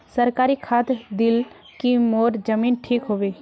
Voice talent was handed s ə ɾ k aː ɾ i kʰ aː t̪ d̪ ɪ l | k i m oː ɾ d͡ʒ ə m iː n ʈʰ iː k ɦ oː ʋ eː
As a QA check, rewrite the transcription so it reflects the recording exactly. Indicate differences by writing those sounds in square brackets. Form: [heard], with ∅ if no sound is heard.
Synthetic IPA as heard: s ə ɾ k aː ɾ i kʰ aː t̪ d̪ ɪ l | k i m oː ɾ d͡ʒ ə m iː n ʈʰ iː k ɦ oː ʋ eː